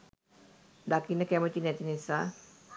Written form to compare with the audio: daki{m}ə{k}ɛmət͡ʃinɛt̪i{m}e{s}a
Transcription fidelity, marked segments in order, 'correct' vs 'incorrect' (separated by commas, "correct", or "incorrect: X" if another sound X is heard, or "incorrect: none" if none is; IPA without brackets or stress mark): incorrect: n, correct, incorrect: n, correct